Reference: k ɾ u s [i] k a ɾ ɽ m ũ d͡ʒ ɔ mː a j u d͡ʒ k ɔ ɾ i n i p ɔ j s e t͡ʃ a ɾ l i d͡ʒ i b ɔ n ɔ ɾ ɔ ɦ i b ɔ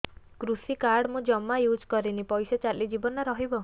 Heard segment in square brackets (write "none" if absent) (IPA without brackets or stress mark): i